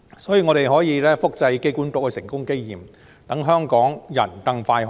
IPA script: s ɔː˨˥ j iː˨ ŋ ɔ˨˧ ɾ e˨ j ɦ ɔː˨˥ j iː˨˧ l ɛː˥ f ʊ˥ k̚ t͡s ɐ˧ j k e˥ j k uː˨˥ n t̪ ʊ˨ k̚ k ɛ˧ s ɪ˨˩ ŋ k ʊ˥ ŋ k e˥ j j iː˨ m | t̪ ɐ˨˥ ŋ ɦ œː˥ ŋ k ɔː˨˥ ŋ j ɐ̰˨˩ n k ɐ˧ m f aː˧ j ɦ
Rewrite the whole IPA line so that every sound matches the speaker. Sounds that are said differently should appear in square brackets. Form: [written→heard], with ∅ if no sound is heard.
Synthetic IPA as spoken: s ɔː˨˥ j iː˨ ŋ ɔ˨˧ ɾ e˨ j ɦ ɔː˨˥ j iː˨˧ l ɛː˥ f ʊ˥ k̚ t͡s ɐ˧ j k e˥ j k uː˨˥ n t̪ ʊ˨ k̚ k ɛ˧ s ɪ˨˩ ŋ k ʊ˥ ŋ k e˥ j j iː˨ m | t̪ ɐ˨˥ ŋ ɦ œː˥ ŋ k ɔː˨˥ ŋ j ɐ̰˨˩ n k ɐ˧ [m→ŋ] f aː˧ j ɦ